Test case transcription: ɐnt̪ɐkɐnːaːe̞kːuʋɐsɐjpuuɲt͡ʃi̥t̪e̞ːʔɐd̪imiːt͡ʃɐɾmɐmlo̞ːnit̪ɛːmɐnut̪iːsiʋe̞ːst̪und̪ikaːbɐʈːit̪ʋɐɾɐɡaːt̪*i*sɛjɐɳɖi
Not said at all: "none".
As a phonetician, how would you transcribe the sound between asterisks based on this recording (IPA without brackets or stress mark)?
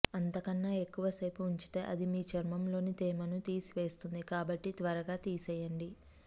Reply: iː